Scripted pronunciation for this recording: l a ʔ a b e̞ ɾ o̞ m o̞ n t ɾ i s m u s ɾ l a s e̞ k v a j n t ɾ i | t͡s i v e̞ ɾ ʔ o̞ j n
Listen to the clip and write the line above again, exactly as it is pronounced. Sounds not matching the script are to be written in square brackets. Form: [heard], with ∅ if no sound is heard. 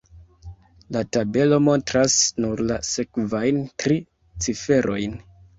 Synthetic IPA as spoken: l a [t] a b e̞ [l] o̞ m o̞ n t ɾ [a] s [n] u [∅] ɾ l a s e̞ k v a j n t ɾ i | t͡s i [f] e̞ ɾ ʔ o̞ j n